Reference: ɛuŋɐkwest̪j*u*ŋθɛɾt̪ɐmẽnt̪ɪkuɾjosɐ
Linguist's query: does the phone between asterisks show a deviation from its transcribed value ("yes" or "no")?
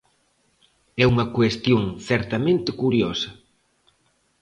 yes